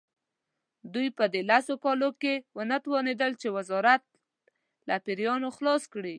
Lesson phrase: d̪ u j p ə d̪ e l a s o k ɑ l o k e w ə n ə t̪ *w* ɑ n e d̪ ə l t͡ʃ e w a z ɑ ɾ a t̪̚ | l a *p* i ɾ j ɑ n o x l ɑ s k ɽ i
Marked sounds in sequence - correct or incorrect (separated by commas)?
correct, correct